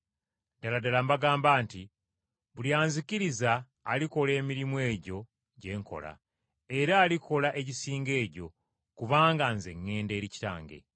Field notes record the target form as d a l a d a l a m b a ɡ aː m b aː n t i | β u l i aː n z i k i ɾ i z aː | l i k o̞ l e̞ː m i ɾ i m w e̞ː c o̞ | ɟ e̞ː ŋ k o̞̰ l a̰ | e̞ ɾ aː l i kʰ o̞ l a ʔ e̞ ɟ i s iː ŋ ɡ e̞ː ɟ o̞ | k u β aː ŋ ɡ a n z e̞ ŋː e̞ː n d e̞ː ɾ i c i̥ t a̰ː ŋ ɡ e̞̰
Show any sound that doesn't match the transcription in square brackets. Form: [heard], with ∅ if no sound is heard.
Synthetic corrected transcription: d a l a d a l a m b a ɡ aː m b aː n t i | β u l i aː n z i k i ɾ i z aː | l i k o̞ l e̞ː m i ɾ i m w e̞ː [ɟ] o̞ | ɟ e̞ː ŋ k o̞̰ l a̰ | e̞ ɾ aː l i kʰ o̞ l a ʔ e̞ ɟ i s iː ŋ ɡ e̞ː ɟ o̞ | k u β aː ŋ ɡ a n z e̞ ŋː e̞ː n d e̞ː ɾ i c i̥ t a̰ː ŋ ɡ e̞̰